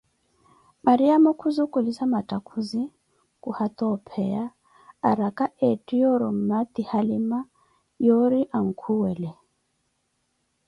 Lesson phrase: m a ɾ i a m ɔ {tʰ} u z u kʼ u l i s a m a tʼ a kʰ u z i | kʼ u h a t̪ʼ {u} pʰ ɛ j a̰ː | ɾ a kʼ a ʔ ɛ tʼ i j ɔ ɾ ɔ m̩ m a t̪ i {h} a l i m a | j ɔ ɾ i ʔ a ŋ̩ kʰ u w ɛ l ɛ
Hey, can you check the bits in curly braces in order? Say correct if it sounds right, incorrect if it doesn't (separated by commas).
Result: incorrect, incorrect, correct